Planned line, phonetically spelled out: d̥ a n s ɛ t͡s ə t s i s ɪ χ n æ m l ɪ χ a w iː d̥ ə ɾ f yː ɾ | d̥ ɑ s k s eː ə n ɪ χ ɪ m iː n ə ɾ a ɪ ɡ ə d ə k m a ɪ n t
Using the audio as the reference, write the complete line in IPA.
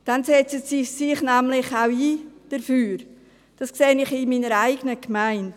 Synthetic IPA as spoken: d̥ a n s ɛ t͡s ə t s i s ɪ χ n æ m l ɪ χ a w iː d̥ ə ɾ f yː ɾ | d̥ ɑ s k s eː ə n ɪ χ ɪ m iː n ə ɾ a ɪ ɡ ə n ə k m a ɪ n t